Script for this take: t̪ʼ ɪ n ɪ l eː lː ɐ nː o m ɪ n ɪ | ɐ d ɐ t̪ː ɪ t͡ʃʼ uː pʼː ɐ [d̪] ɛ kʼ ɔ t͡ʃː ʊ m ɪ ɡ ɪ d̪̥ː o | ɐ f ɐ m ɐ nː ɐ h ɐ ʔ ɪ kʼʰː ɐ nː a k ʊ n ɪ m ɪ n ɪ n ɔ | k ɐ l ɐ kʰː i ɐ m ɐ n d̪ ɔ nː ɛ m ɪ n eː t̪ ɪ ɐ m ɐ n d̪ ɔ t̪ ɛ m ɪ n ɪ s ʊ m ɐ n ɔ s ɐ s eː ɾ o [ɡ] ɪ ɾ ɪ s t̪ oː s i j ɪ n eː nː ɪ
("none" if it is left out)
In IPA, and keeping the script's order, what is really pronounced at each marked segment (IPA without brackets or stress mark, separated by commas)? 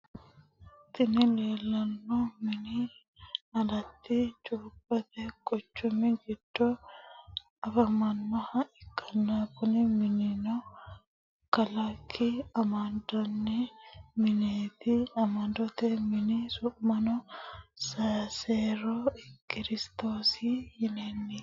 t̪, k